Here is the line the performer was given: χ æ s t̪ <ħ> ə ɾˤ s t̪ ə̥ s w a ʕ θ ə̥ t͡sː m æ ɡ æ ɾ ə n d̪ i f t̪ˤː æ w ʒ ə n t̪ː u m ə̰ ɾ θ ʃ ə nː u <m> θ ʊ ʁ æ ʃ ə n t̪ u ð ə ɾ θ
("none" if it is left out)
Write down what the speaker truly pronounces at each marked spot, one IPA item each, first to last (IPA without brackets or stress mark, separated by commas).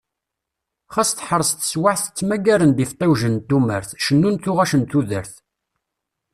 ħ, n